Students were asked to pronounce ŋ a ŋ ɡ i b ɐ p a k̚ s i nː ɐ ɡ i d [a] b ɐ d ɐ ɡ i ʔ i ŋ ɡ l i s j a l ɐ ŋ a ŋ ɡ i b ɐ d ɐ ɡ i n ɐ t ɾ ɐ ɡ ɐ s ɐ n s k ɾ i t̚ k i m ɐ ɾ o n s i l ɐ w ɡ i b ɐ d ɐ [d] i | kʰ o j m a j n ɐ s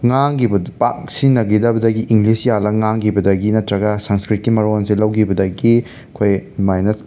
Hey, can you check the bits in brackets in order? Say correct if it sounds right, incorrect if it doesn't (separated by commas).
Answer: incorrect, incorrect